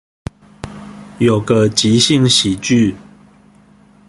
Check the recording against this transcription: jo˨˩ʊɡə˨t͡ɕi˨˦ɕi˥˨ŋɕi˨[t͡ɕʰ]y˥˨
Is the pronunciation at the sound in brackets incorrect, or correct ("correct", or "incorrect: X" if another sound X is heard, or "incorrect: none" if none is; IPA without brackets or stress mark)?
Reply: incorrect: t͡ɕ